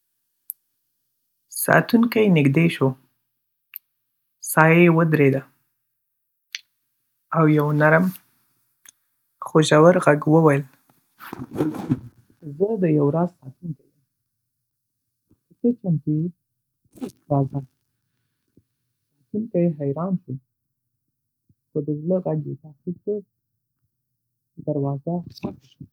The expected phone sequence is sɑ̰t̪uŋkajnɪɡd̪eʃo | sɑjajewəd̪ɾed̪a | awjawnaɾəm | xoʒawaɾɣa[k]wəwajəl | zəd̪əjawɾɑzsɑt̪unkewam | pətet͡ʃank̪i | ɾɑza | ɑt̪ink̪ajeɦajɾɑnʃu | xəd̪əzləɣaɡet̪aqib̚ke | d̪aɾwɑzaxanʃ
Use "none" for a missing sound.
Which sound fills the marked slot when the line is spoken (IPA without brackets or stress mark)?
ɡ